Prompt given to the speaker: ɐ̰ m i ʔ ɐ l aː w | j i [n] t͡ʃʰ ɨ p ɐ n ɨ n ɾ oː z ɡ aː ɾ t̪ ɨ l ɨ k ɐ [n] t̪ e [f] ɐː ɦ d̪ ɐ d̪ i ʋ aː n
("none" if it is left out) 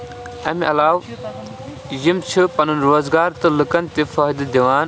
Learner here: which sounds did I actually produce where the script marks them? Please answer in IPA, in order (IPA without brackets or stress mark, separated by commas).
m, n, f